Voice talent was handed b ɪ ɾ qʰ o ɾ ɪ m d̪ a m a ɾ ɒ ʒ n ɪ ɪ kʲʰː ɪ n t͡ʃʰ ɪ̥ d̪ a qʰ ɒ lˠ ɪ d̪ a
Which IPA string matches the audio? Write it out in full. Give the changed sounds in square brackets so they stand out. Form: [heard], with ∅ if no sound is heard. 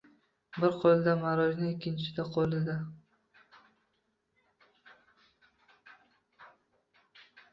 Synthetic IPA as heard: b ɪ ɾ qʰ o [l] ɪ [∅] d̪ a m a ɾ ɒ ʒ n ɪ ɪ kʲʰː ɪ n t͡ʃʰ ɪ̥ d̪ a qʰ [o] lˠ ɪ d̪ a